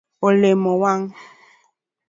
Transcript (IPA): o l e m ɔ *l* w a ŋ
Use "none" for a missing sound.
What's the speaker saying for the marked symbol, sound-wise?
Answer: none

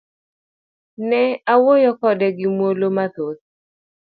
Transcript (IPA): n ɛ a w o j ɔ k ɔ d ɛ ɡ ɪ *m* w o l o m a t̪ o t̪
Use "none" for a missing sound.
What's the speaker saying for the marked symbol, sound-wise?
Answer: m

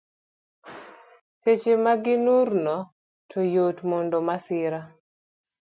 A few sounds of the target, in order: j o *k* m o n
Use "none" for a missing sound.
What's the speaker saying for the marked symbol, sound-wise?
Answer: t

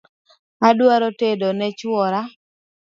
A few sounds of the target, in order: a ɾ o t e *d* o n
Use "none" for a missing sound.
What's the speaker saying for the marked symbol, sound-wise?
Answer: d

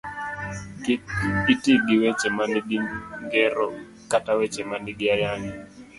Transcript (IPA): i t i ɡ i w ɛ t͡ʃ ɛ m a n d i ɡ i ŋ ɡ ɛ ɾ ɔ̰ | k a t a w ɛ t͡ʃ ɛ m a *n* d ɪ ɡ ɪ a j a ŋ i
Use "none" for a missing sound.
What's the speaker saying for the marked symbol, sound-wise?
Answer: n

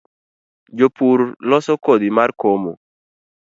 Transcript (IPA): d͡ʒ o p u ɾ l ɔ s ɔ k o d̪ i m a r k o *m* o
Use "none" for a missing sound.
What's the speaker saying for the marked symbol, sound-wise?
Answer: m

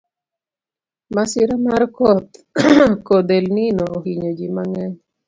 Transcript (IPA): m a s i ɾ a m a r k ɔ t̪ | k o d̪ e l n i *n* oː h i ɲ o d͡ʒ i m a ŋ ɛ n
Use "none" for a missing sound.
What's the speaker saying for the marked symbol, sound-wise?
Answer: n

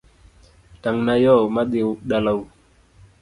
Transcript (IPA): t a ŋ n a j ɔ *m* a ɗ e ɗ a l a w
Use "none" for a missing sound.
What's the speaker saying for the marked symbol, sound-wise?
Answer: m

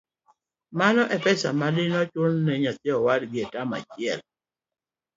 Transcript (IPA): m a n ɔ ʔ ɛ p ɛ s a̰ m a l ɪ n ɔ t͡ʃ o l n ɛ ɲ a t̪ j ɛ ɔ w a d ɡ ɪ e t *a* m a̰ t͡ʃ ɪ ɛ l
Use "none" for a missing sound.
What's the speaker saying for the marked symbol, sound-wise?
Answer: a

